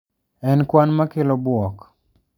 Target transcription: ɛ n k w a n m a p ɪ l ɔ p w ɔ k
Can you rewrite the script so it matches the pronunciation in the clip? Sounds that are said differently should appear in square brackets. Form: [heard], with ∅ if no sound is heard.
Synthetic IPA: ɛ n k w a n m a [k] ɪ l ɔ [b] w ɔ k

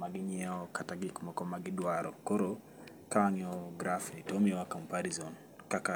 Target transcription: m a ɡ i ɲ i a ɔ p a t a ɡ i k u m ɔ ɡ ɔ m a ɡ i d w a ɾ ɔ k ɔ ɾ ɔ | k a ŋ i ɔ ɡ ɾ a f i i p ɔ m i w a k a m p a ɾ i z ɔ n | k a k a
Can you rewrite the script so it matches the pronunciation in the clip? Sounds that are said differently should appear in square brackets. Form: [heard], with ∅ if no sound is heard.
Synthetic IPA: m a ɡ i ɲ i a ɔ [k] a t a ɡ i k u m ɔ [k] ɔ m a ɡ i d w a ɾ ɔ k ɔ ɾ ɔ | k a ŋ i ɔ ɡ ɾ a f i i [t] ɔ m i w a k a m p a ɾ i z ɔ n | k a k a

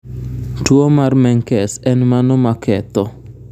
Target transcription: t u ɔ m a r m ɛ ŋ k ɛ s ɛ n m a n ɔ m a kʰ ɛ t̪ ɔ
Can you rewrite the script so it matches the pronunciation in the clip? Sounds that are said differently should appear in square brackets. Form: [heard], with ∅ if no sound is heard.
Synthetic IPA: t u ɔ m a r m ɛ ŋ k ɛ s ɛ n m a n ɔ m a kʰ ɛ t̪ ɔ

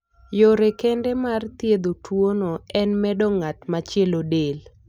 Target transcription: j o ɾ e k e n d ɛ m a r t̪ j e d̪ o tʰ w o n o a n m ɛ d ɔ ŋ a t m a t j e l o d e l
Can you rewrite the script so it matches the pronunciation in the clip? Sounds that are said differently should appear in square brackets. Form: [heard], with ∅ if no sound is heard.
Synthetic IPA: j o ɾ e k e n d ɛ m a r t̪ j e d̪ o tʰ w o n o [ɛ] n m ɛ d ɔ ŋ a t m a [t͡ʃ] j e l o d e l

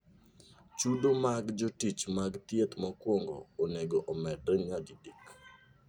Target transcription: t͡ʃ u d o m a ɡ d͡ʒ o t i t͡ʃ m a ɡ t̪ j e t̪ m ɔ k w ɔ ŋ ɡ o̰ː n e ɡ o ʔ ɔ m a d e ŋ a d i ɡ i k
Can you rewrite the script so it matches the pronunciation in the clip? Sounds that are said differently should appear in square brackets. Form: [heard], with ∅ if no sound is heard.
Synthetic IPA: t͡ʃ u d o m a ɡ d͡ʒ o t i t͡ʃ m a ɡ t̪ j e t̪ m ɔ k w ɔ ŋ ɡ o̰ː n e ɡ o ʔ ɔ m [ɛ] d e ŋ a d i [d] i k

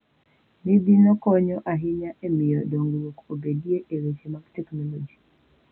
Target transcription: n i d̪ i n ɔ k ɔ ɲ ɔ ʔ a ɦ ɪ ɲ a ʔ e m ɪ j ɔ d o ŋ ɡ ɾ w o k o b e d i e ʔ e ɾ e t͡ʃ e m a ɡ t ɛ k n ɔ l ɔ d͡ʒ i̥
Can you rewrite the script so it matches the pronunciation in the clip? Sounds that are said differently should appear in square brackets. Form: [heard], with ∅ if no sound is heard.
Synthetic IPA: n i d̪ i n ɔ k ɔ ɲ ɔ ʔ a ɦ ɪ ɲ a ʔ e m ɪ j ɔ d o ŋ ɡ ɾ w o k o b e d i e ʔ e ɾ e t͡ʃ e m a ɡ t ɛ k n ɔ l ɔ d͡ʒ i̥

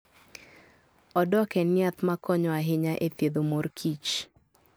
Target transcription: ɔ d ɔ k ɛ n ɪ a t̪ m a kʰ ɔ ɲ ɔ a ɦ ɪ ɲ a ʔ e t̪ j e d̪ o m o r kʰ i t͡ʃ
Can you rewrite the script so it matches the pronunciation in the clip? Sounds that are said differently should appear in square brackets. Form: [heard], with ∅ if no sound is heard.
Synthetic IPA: ɔ d ɔ k ɛ n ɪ a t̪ m a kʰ ɔ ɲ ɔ a ɦ ɪ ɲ a ʔ e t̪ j e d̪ o m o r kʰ i t͡ʃ

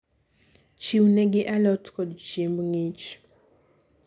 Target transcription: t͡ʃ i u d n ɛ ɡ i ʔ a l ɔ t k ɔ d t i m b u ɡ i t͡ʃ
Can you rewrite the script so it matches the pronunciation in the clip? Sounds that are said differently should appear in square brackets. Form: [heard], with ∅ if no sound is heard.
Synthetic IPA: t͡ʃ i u [∅] n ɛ ɡ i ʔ a l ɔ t k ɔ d [t͡ʃ] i m b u [ŋ] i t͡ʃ

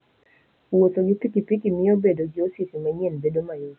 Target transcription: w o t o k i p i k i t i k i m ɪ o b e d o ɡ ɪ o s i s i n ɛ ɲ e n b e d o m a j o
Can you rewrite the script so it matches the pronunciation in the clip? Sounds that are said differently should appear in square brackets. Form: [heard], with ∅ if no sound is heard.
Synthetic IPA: w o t o [ɡ] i p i k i [p] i k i m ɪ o b e d o ɡ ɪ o s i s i [m] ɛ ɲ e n b e d o m a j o

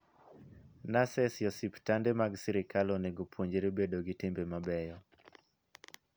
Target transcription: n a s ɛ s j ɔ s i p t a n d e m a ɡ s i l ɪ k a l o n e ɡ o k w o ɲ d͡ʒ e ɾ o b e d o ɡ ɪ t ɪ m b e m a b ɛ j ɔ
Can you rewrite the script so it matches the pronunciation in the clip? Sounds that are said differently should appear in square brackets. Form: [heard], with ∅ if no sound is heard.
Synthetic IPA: n a s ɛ s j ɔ s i p t a n d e m a ɡ s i [ɾ] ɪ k a l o n e ɡ o [p] w o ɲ d͡ʒ e ɾ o b e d o ɡ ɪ t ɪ m b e m a b ɛ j ɔ

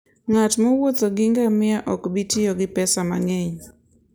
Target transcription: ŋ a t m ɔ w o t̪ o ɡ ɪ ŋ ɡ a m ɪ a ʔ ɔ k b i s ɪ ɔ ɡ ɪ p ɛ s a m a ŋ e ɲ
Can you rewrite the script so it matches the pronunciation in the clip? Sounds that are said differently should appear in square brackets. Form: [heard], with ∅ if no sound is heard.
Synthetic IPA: ŋ a t m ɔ w o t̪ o ɡ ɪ ŋ ɡ a m ɪ a ʔ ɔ k b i [t] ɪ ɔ ɡ ɪ p ɛ s a m a ŋ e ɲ

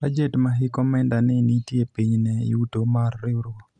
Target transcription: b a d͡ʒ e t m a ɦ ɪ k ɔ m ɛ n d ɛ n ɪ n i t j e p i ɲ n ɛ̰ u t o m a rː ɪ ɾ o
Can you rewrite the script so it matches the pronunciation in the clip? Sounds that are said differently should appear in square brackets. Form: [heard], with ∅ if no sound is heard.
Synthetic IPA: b a d͡ʒ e t m a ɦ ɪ k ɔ m ɛ n d [a] n ɪ n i t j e p i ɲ n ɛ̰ u t o m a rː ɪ ɾ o

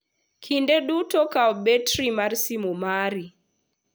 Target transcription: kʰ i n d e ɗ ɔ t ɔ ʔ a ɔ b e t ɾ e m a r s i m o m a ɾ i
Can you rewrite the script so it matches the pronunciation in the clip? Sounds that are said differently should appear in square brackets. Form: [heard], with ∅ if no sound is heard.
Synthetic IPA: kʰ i n d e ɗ [u] t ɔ [k] a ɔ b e t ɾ [i] m a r s i m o m a ɾ i

